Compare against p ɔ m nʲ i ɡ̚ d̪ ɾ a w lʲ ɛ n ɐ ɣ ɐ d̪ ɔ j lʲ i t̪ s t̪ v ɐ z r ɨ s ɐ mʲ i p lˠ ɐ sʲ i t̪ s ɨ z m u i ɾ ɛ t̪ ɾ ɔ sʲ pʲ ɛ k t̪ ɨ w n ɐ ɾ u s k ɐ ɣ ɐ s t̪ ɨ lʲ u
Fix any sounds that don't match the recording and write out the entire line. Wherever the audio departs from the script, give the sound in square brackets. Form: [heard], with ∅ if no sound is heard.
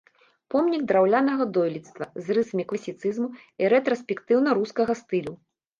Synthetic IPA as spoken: p ɔ m nʲ i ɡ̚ d̪ ɾ a w lʲ [a] n ɐ ɣ ɐ d̪ ɔ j lʲ i t̪ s t̪ v ɐ z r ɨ s ɐ mʲ i [k] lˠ ɐ sʲ i t̪ s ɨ z m u i ɾ ɛ t̪ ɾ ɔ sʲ pʲ ɛ k t̪ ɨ w n ɐ ɾ u s k ɐ ɣ ɐ s t̪ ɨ lʲ u